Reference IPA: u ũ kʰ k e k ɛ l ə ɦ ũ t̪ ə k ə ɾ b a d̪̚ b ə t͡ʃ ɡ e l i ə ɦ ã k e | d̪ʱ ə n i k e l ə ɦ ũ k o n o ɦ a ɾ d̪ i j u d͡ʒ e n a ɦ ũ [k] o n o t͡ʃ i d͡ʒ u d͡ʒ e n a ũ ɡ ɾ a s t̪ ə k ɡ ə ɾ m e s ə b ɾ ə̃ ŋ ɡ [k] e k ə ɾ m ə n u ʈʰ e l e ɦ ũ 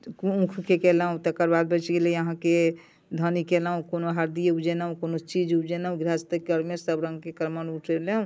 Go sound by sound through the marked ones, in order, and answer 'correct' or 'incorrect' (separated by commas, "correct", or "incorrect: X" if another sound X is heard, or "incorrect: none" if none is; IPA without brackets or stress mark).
correct, correct